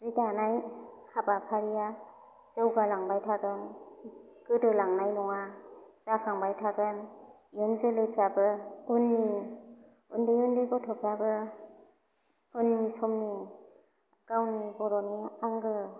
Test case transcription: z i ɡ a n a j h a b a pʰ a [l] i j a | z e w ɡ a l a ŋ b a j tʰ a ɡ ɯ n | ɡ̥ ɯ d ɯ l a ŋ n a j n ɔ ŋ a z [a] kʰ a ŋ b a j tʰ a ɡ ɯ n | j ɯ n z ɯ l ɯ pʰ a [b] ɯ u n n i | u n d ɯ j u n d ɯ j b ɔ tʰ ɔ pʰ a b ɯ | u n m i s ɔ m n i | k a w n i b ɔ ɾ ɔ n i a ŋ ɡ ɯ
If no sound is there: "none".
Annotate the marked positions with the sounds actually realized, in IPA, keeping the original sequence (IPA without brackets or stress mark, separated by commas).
ɾ, a, b